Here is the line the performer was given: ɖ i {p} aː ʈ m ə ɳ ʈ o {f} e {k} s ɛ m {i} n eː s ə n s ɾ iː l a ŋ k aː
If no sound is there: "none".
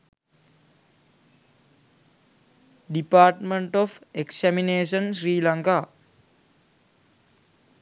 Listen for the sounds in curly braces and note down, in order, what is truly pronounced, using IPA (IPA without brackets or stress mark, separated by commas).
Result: p, f, k, i